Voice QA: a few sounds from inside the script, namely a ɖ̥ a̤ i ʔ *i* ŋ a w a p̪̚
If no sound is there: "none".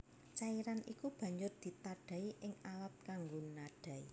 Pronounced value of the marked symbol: ɪ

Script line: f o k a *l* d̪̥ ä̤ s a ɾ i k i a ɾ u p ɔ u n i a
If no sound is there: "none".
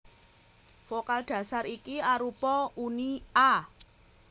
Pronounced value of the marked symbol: l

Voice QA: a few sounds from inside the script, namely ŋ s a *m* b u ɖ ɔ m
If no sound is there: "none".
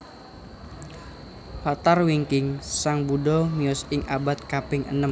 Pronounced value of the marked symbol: ŋ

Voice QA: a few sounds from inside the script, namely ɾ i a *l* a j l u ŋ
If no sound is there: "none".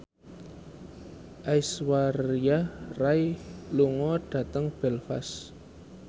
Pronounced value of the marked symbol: r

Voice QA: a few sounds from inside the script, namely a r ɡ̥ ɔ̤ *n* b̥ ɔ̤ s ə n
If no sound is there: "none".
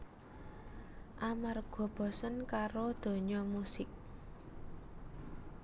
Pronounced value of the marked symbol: none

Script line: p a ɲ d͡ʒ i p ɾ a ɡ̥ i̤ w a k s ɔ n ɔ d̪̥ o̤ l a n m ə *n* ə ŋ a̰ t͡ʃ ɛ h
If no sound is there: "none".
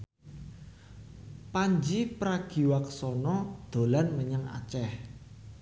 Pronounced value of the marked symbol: ɲ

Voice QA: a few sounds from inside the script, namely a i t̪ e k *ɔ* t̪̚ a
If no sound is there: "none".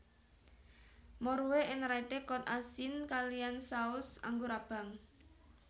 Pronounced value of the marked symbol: ɔ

